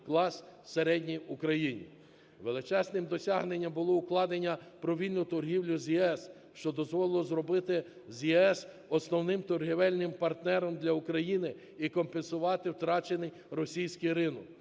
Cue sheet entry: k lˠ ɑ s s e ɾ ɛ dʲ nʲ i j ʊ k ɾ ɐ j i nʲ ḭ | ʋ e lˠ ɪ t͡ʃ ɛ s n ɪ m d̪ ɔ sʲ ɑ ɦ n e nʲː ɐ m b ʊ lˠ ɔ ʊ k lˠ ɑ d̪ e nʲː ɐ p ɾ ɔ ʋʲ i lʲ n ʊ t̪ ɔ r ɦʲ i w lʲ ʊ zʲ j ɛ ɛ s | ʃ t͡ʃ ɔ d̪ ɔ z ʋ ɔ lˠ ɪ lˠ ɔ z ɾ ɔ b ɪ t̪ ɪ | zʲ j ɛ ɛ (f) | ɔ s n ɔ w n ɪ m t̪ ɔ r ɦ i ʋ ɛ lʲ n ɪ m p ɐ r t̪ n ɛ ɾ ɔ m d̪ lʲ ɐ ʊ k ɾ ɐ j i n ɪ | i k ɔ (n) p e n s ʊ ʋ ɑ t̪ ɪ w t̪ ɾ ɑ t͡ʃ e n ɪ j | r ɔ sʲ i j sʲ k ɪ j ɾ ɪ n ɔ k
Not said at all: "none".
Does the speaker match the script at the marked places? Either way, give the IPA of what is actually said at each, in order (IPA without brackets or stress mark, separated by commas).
s, m